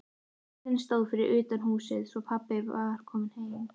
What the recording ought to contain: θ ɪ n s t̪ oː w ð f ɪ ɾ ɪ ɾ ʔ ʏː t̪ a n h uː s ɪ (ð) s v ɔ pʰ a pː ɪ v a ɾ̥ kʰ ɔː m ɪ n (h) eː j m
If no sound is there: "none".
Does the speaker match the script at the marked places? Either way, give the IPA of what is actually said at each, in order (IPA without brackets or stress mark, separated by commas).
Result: ð, h